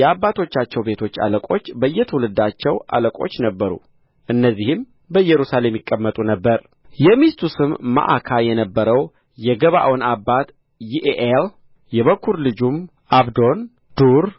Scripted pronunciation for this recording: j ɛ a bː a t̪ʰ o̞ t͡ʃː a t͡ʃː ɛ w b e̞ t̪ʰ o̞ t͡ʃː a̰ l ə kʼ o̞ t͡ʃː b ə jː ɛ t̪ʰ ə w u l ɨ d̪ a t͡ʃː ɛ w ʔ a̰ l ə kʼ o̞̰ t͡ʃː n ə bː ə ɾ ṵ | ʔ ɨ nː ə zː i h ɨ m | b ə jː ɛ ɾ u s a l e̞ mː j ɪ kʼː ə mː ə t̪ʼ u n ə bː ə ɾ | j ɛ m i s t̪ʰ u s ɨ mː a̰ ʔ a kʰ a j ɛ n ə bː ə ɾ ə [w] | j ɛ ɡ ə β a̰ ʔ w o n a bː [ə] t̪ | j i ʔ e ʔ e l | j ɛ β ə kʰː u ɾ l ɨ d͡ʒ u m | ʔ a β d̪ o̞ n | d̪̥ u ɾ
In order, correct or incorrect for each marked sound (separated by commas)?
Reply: correct, incorrect